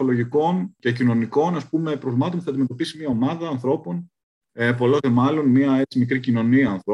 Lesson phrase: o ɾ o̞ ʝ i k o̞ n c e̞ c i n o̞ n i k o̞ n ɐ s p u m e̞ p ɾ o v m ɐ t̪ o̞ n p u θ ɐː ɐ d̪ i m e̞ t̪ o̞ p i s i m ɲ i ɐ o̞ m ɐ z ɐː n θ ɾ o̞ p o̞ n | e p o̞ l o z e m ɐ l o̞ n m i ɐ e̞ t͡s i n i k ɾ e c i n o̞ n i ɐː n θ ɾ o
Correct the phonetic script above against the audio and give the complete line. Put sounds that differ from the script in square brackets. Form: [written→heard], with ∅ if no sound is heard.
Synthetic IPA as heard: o [ɾ→l] o̞ ʝ i k o̞ n c e̞ c i n o̞ n i k o̞ n ɐ s p u m e̞ p ɾ o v m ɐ t̪ o̞ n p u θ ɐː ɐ d̪ i m e̞ t̪ o̞ p i s i m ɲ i ɐ o̞ m ɐ [z→ð] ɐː n θ ɾ o̞ p o̞ n | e p o̞ l o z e m ɐ l o̞ n m i ɐ e̞ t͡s i [n→m] i k ɾ [e→i] c i n o̞ n i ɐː n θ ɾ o